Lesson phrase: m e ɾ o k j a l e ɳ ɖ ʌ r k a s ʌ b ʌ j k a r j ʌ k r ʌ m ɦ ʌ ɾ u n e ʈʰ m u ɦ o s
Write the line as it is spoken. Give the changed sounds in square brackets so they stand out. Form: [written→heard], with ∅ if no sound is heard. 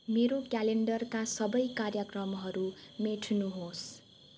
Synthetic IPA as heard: m e ɾ o k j a l e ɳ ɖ ʌ r k a s ʌ b ʌ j k a r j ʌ k r ʌ m ɦ ʌ ɾ u [n→m] e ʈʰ [m→n] u ɦ o s